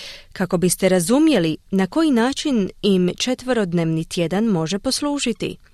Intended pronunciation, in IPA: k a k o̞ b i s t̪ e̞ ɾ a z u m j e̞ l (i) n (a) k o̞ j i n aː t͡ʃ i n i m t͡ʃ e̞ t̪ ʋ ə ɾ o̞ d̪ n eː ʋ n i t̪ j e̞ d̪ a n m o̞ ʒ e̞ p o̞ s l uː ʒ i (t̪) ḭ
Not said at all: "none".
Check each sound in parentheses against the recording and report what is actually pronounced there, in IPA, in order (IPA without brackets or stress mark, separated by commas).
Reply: i, a, t̪